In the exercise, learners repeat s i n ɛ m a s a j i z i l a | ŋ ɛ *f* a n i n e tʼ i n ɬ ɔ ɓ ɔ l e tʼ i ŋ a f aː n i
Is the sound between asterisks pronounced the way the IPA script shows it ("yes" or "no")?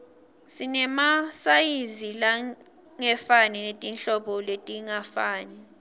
yes